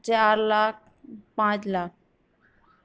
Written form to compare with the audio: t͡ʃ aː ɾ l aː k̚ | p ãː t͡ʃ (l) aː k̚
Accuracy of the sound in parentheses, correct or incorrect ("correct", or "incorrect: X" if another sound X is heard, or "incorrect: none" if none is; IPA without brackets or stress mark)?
correct